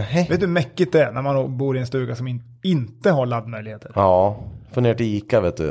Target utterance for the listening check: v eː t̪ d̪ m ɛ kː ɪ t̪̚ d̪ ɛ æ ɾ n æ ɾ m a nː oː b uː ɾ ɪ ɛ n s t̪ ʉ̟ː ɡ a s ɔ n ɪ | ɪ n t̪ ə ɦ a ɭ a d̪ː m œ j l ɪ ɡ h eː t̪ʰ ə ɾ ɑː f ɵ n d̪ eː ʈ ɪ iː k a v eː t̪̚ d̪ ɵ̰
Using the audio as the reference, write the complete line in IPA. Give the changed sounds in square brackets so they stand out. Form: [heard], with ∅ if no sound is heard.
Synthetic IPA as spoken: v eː t̪ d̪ m ɛ kː ɪ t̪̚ d̪ ɛ æ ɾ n æ ɾ m a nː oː b uː ɾ ɪ ɛ n s t̪ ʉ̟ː ɡ a s ɔ [m] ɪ | ɪ n t̪ ə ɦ a ɭ a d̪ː m œ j l ɪ ɡ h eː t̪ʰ ə ɾ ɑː f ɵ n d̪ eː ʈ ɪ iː k a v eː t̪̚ d̪ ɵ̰